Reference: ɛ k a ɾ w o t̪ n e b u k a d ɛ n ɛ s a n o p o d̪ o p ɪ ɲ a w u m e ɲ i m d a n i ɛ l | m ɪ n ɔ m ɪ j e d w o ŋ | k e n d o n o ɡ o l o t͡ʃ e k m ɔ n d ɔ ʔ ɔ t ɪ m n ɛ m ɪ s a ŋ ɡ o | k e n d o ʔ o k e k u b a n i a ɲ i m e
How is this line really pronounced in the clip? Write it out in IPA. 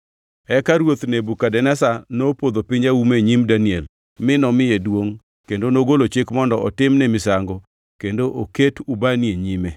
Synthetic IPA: ɛ k a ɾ w o t̪ n e b u k a d ɛ n ɛ s a n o p o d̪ o p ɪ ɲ a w u m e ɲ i m d a n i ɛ l | m ɪ n ɔ m ɪ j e d w o ŋ | k e n d o n o ɡ o l o t͡ʃ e k m ɔ n d ɔ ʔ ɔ t ɪ m n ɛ m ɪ s a ŋ ɡ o | k e n d o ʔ o k e t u b a n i e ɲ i m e